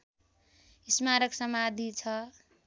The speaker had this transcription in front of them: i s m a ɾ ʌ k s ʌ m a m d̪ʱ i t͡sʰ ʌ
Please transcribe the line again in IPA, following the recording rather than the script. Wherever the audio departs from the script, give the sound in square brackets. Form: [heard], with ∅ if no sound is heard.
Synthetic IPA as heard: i s m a ɾ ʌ k s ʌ m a [∅] d̪ʱ i t͡sʰ ʌ